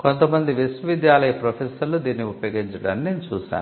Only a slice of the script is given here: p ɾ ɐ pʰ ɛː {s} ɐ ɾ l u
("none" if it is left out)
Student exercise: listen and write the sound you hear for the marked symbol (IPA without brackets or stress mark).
s